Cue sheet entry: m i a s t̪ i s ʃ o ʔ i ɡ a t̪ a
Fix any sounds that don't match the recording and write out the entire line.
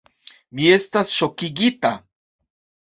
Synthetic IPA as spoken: m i e s t̪ a s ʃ o k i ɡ i t̪ a